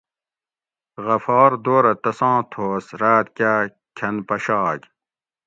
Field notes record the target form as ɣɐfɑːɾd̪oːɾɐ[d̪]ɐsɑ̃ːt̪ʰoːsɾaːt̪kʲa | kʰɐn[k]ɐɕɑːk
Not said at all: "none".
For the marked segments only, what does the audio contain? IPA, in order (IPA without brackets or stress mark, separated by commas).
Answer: t̪, p